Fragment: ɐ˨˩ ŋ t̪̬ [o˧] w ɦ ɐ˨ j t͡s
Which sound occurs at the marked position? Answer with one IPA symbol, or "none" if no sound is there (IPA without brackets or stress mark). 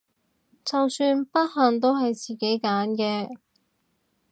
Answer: o˥